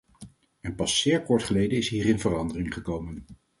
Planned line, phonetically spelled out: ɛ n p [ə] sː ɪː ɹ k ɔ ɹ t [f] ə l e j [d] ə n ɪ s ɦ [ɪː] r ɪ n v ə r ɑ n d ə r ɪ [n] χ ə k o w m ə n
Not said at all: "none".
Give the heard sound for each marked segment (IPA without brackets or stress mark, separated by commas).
ɑ, χ, d, iː, ŋ